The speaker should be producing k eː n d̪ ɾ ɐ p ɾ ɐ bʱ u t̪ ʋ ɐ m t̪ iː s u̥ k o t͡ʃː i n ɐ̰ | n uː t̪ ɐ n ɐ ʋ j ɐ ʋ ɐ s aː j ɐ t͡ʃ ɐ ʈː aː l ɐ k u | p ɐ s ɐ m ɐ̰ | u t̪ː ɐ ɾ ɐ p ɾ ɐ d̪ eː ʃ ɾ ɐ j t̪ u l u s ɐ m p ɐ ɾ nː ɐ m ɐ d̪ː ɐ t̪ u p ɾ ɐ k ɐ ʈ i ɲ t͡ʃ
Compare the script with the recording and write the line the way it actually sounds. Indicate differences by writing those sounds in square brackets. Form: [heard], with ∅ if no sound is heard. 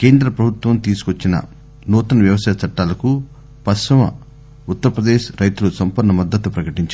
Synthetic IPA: k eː n d̪ ɾ ɐ p ɾ ɐ bʱ u t̪ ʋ ɐ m t̪ iː s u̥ k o t͡ʃː i n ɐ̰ | n uː t̪ ɐ n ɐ ʋ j ɐ ʋ ɐ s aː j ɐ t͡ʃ ɐ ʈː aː l ɐ k u | p ɐ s ɐ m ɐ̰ | u t̪ː ɐ ɾ ɐ p ɾ ɐ d̪ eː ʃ ɾ ɐ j t̪ u l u s ɐ m p ɐ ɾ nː ɐ m ɐ d̪ː ɐ t̪ u p ɾ ɐ k ɐ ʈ i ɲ t͡ʃ